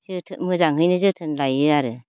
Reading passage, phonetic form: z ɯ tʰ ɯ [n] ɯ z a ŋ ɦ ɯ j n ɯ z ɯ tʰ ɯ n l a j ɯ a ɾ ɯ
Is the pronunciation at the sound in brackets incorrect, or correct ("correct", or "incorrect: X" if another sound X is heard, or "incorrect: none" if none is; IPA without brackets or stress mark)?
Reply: incorrect: m